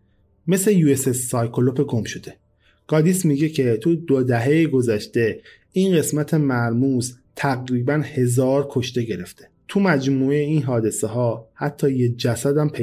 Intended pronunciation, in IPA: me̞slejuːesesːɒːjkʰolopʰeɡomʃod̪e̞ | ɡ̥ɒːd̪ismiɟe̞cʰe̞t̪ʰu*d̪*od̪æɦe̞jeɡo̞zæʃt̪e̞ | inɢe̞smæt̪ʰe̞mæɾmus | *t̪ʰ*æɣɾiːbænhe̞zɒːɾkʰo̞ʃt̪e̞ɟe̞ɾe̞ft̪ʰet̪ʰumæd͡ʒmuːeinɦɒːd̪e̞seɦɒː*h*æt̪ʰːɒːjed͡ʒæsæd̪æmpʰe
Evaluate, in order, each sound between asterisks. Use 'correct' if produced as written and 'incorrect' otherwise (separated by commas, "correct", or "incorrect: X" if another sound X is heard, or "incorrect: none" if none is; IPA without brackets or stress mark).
correct, correct, correct